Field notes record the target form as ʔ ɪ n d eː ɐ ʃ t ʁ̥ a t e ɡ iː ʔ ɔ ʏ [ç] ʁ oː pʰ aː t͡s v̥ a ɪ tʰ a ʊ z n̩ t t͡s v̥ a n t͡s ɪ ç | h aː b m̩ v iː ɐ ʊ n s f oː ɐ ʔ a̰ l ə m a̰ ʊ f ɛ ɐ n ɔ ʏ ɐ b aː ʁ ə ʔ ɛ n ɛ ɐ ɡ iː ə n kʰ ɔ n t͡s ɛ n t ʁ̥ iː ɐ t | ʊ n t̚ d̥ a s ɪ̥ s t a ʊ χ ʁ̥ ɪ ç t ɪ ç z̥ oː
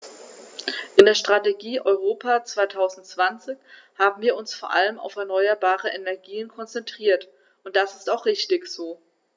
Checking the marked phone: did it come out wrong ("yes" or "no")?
yes